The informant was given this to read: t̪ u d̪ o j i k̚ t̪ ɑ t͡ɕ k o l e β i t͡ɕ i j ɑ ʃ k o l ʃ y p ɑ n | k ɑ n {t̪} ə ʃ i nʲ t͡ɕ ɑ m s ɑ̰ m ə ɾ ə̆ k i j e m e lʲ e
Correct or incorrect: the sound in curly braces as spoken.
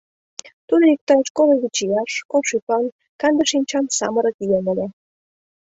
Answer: incorrect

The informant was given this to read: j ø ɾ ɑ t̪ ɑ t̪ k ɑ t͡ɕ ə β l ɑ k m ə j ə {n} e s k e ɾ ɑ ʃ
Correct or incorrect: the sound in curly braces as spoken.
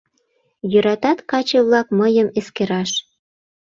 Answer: incorrect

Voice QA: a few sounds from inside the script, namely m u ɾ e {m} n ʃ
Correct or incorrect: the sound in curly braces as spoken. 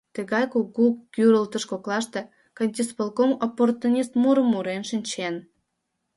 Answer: incorrect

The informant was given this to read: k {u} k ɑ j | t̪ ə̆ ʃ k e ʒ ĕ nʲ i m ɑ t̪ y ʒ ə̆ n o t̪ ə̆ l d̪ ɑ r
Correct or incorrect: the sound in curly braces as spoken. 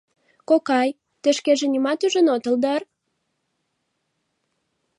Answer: incorrect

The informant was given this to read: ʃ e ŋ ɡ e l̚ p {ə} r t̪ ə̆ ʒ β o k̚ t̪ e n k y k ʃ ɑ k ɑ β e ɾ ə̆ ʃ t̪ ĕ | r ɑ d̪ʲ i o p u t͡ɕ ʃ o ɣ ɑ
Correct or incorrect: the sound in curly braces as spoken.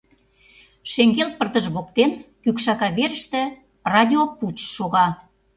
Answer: correct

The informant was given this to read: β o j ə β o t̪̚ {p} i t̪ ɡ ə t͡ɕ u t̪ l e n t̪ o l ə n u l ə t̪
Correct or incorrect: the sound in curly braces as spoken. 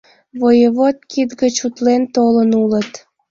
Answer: incorrect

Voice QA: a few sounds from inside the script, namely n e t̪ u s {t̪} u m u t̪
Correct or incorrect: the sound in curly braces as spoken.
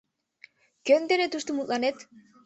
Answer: correct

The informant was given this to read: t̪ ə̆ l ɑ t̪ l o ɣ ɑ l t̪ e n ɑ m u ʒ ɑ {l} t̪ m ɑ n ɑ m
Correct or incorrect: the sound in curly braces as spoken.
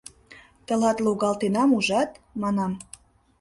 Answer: incorrect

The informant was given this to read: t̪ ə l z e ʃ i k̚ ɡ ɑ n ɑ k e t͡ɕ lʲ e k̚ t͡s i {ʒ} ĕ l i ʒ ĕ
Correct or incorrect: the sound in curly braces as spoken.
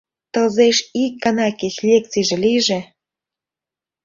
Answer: correct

